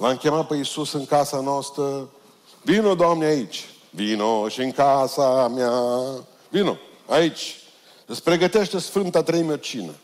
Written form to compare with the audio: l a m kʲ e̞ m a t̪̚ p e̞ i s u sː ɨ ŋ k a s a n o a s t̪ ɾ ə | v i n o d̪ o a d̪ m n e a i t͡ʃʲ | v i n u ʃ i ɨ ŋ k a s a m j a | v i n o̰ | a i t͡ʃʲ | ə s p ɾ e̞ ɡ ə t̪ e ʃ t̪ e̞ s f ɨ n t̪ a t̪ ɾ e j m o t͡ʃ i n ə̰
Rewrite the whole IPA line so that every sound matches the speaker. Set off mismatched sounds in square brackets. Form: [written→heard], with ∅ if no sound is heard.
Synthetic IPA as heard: l a m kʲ e̞ m a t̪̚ p e̞ i s u [sː→s] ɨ ŋ k a s a n o a s t̪ ɾ ə | v i n o d̪ o a [d̪→∅] m n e a i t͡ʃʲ | v i n [u→o] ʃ i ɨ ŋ k a s a m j a | v i n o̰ | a i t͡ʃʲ | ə s p ɾ e̞ ɡ ə t̪ e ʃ t̪ e̞ s f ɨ n t̪ a t̪ ɾ e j m o t͡ʃ i n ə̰